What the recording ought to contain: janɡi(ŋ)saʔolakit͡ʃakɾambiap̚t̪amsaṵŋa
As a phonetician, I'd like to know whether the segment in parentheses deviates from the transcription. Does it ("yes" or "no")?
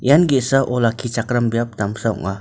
yes